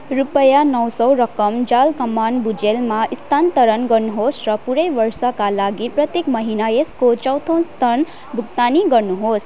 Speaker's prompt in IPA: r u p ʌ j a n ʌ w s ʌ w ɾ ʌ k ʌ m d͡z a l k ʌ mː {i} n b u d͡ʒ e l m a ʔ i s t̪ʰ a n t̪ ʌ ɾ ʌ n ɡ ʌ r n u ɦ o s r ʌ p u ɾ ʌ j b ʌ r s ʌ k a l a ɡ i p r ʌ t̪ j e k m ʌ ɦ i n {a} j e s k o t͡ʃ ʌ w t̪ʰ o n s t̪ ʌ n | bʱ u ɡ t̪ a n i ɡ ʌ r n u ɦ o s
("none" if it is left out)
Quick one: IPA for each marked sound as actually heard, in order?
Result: a, a

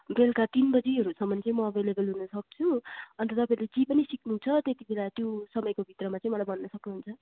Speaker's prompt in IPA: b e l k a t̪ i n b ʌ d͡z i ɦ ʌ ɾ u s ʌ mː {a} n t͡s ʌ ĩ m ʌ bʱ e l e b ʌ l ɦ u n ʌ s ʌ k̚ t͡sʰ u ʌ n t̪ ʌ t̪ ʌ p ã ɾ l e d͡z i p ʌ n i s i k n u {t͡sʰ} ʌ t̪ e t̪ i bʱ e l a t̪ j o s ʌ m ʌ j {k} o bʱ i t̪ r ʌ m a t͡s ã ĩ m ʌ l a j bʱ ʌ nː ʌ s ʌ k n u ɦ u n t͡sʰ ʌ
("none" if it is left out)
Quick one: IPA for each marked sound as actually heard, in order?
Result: ʌ, t͡sʰ, k

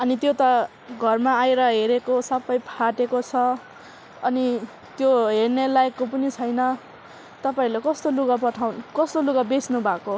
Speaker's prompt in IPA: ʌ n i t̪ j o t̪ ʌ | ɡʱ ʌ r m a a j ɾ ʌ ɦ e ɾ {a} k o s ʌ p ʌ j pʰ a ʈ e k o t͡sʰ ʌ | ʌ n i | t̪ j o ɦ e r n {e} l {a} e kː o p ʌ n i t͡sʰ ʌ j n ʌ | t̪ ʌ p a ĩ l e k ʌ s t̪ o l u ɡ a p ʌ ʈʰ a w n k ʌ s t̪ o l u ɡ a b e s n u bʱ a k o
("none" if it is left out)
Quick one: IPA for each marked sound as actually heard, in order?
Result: e, e, a

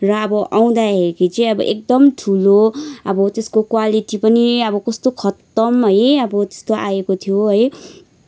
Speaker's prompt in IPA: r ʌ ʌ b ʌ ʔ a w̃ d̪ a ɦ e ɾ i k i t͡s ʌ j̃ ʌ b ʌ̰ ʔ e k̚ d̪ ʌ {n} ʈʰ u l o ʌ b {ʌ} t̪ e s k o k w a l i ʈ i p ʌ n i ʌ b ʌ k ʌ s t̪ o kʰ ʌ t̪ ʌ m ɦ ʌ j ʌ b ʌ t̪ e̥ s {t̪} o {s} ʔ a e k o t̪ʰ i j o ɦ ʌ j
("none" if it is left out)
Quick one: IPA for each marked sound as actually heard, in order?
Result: m, ʌ, t̪, none

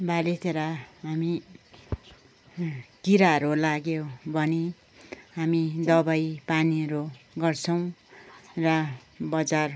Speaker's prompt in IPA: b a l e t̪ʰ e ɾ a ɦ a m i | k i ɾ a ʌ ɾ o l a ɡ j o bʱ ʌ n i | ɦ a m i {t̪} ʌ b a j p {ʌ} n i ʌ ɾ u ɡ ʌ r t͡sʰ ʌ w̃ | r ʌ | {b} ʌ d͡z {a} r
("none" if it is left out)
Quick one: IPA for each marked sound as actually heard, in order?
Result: d̪, a, b, a

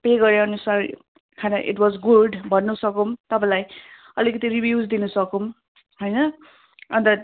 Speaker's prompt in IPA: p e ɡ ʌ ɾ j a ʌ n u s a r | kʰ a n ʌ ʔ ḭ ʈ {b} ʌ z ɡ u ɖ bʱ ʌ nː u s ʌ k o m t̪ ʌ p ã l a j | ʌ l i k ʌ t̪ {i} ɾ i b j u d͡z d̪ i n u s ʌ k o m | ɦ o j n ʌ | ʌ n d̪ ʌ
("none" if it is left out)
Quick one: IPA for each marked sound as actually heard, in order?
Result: w, i

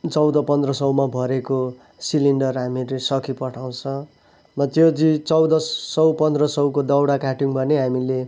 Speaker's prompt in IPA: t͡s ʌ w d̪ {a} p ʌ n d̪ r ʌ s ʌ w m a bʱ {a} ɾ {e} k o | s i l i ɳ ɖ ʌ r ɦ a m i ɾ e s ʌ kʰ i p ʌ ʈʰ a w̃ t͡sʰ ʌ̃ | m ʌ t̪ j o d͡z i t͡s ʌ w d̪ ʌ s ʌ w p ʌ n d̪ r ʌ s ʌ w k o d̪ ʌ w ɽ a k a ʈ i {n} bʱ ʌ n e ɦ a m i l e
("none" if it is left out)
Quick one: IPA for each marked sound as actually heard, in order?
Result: ʌ, ʌ, e, ŋ

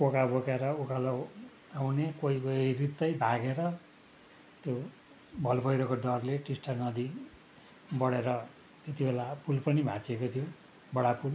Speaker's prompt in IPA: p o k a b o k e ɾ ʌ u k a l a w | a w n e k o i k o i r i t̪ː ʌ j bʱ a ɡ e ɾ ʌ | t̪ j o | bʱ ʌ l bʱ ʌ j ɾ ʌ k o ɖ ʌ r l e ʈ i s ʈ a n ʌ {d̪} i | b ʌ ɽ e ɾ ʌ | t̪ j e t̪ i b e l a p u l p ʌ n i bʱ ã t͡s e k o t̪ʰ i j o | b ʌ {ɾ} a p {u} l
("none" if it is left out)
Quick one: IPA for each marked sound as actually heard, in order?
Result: d̪, ɽ, u

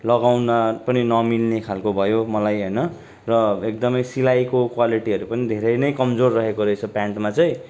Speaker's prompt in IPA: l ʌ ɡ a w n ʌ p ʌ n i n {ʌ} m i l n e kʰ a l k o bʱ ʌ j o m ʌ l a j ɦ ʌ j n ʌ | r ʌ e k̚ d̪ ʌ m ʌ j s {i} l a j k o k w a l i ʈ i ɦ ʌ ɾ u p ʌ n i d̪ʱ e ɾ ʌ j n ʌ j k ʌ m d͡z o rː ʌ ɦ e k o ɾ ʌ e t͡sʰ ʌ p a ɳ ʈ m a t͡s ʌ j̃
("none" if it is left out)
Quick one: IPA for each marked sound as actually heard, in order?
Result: ʌ, i

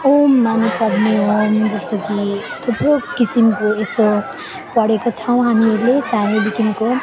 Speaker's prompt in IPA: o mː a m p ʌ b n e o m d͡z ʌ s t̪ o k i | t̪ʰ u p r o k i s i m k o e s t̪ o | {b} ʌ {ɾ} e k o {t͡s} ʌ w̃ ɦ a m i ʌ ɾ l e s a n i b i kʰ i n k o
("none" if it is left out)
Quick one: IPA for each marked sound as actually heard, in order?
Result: p, ɽ, t͡sʰ

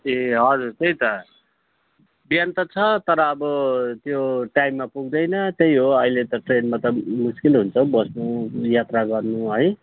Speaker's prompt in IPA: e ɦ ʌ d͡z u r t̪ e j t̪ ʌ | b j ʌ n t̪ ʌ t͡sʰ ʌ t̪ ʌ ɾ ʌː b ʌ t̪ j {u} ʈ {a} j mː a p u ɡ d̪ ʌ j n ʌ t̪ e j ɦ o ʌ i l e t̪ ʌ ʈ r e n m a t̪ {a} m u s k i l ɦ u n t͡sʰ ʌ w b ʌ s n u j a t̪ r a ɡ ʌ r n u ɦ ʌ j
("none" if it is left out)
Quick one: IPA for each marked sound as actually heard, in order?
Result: o, a, ʌ

